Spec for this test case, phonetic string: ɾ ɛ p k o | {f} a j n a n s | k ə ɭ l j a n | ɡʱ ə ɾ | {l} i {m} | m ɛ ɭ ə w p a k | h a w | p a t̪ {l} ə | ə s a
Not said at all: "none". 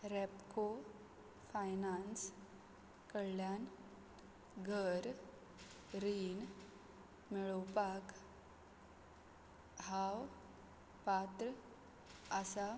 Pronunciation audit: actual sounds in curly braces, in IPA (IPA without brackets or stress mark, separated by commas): f, ɾ, n, ɾ